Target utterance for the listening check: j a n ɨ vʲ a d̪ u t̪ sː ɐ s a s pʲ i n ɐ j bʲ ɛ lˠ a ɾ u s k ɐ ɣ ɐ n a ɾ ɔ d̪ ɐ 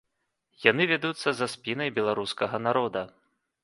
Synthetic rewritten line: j a n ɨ vʲ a d̪ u t̪ sː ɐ z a s pʲ i n ɐ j bʲ ɛ lˠ a ɾ u s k ɐ ɣ ɐ n a ɾ ɔ d̪ ɐ